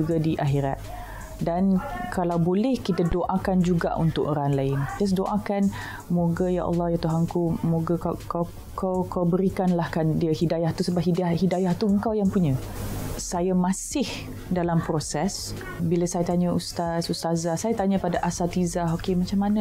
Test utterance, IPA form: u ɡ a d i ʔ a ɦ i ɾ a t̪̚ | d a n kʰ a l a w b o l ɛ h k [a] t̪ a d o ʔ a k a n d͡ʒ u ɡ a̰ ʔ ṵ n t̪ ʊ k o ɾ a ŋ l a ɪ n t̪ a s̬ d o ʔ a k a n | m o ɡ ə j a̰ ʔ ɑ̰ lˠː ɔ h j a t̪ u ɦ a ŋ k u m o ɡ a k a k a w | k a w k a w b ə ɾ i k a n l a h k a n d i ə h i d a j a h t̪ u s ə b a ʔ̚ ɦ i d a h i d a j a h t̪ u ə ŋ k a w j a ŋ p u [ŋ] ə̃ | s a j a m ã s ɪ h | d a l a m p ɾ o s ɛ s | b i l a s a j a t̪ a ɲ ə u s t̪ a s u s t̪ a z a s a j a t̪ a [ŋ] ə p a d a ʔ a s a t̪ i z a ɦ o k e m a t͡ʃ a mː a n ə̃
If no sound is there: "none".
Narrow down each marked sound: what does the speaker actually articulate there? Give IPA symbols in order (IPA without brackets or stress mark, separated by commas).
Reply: i, ɲ, ɲ